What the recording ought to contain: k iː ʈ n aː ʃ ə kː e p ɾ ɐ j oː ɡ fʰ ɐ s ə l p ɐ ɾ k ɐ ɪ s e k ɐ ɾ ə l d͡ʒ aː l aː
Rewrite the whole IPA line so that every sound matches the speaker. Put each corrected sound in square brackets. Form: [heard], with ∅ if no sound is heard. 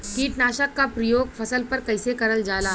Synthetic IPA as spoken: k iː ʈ n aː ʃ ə kː [a] p ɾ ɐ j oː ɡ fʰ ɐ s ə l p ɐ ɾ k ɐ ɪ s e k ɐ ɾ ə l d͡ʒ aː l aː